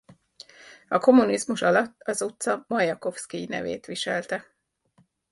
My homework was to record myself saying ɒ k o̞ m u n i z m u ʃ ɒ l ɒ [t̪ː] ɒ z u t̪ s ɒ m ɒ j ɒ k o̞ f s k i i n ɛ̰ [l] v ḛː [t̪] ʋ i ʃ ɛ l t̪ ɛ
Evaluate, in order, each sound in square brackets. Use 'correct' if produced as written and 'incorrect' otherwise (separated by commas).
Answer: correct, incorrect, correct